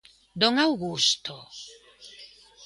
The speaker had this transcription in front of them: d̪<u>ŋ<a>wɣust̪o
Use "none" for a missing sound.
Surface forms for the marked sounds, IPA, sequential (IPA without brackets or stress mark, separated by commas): o, a